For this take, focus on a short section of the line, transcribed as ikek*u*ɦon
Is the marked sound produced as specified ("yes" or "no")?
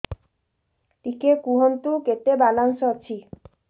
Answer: yes